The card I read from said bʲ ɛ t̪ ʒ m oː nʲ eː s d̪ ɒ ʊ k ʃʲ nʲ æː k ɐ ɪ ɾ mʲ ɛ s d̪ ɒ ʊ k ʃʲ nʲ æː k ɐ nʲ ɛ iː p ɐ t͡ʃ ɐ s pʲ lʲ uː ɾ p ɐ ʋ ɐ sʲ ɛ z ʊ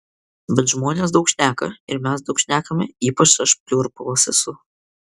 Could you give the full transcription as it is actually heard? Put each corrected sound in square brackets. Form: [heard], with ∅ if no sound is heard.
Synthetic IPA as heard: bʲ ɛ t̪ ʒ m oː nʲ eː s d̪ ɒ ʊ k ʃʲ nʲ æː k ɐ ɪ ɾ mʲ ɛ s d̪ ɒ ʊ k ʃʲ nʲ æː k ɐ [mʲ] ɛ iː p ɐ t͡ʃ ɐ [ʃ] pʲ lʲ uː ɾ p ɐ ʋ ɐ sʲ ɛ [s] ʊ